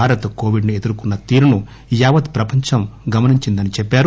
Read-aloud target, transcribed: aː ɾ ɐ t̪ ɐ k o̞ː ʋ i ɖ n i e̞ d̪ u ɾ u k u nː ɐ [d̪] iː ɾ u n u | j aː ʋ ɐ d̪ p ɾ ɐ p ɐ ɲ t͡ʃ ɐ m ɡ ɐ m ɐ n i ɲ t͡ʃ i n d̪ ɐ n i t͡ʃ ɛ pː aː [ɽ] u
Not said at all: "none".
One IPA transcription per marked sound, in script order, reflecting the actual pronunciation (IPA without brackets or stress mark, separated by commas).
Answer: t̪, ɾ